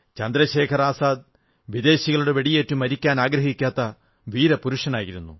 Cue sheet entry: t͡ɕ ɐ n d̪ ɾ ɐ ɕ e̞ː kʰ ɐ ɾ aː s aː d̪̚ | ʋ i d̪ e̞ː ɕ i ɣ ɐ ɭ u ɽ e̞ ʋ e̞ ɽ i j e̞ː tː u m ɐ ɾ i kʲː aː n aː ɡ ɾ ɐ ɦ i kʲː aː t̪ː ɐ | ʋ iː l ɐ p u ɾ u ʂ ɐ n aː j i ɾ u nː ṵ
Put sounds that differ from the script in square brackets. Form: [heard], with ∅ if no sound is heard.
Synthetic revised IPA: t͡ɕ ɐ n d̪ ɾ ɐ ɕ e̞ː kʰ ɐ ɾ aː s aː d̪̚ | ʋ i d̪ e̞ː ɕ i ɣ ɐ ɭ u ɽ e̞ ʋ e̞ ɽ i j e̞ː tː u m ɐ ɾ i kʲː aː n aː ɡ ɾ ɐ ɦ i kʲː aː t̪ː ɐ | ʋ iː [ɾ] ɐ p u ɾ u ʂ ɐ n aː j i ɾ u nː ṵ